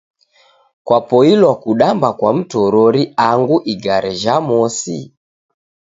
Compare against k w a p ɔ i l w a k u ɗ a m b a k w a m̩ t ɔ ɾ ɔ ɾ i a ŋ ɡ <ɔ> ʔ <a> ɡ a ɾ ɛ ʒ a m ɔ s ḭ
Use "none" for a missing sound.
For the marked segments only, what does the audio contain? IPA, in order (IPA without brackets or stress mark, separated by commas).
u, i